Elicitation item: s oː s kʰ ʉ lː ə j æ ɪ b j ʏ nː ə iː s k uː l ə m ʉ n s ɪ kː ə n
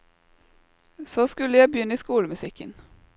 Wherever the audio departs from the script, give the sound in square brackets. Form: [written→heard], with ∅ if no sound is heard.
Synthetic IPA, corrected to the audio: s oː s [kʰ→k] ʉ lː ə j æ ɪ b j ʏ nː ə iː s k uː l ə m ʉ [n→∅] s ɪ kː ə n